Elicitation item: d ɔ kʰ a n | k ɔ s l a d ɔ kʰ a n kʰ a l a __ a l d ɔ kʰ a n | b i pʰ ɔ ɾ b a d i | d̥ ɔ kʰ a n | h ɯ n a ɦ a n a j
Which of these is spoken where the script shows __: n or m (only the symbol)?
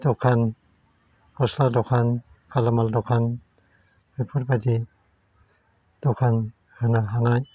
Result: m